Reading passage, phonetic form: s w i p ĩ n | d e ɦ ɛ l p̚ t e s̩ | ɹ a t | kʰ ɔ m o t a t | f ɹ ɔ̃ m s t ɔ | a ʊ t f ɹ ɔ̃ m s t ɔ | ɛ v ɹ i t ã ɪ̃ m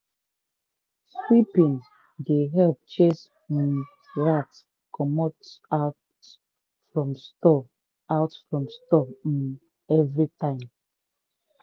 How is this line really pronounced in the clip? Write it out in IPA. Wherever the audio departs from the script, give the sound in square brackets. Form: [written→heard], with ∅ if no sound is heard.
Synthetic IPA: s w i p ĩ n | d e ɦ ɛ l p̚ [t→t͡ʃ] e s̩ | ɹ a t | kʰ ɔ m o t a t | f ɹ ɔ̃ m s t ɔ | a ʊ t f ɹ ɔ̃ m s t ɔ | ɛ v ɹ i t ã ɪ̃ m